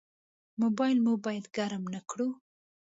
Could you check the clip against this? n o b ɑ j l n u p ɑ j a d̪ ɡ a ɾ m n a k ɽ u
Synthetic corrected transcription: m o b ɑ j l m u b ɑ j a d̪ ɡ a ɾ m n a k ɽ u

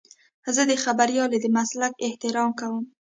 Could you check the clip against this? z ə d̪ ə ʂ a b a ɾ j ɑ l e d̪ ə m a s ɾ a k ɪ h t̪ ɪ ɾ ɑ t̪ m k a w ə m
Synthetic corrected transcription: z ə d̪ ə x a b a ɾ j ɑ l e d̪ ə m a s l a k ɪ h t̪ ɪ ɾ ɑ m k a w ə m

